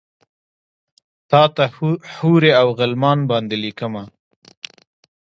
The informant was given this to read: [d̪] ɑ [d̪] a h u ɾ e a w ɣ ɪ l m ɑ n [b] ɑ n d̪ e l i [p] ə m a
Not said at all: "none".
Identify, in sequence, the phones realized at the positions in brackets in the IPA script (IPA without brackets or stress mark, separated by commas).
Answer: t̪, t̪, b, k